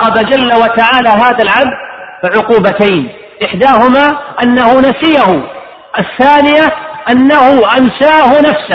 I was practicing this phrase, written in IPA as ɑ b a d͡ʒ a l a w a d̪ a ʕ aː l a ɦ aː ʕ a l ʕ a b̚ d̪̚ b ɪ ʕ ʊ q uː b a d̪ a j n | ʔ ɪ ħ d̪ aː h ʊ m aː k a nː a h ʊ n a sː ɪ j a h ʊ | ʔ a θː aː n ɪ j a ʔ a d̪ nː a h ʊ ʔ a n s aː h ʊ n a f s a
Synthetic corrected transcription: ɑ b a d͡ʒ a lː a w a t̪ a ʕ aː l a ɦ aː ð a l ʕ a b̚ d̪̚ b ɪ ʕ ʊ q uː b a t̪ a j n | ʔ ɪ ħ d̪ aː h ʊ m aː ʔ a nː a h ʊ n a s ɪ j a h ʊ | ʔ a θː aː n ɪ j a ʔ a nː a h ʊ ʔ a n s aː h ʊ n a f s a